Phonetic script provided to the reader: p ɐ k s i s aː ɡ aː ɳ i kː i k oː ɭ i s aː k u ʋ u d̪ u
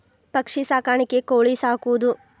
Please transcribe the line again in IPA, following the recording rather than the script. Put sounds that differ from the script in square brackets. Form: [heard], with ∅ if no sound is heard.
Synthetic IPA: p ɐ k [ʂ] i s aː [k] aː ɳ i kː [e] k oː ɭ i s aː k u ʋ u d̪ u